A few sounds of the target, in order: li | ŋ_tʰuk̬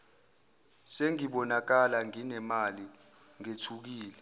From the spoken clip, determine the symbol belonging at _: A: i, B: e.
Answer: B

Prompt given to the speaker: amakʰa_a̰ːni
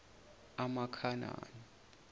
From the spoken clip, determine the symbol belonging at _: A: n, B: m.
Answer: A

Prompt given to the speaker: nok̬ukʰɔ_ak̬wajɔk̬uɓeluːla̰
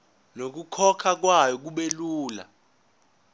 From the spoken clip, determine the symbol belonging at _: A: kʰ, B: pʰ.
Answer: A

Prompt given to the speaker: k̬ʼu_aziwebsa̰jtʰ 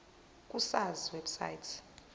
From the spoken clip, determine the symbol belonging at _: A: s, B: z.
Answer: A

